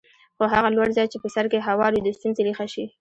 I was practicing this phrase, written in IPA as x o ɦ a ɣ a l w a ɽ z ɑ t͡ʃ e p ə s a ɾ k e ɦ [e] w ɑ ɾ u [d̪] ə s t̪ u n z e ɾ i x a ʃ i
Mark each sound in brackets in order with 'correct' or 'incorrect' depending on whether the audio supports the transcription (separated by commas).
incorrect, correct